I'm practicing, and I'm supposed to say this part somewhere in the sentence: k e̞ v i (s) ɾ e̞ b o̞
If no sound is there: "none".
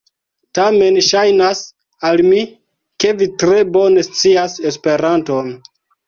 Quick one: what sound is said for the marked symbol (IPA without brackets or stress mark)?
t